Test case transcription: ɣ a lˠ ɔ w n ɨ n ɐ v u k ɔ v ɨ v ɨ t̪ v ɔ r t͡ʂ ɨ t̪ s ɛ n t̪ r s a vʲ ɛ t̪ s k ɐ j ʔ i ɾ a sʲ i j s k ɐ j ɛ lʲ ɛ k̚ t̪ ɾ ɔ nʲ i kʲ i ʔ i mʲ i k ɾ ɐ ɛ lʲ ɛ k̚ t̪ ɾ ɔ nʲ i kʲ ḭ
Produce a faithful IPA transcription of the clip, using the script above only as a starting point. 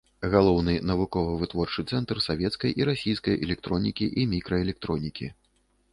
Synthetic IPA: ɣ a lˠ ɔ w n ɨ n ɐ v u k ɔ v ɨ v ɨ t̪ v ɔ r t͡ʂ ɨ t̪ s ɛ n t̪ r s a vʲ ɛ t̪ s k ɐ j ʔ i ɾ a sʲ i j s k ɐ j ɛ lʲ ɛ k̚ t̪ ɾ ɔ nʲ i kʲ i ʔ i mʲ i k ɾ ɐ ɛ lʲ ɛ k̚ t̪ ɾ ɔ nʲ i kʲ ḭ